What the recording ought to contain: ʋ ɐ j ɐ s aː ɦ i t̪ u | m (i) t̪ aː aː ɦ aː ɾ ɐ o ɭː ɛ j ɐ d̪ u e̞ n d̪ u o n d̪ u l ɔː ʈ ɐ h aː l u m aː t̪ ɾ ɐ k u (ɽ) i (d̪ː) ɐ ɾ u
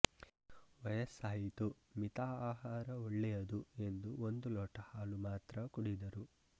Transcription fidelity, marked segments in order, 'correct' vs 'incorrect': correct, correct, incorrect: d̪

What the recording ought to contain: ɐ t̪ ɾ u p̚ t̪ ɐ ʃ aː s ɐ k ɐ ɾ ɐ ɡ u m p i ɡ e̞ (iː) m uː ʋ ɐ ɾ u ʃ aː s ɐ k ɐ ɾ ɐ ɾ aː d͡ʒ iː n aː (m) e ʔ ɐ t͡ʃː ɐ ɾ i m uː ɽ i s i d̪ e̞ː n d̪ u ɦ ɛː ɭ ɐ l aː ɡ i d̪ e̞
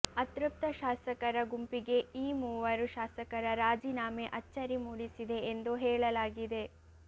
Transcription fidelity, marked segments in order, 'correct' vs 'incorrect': correct, correct

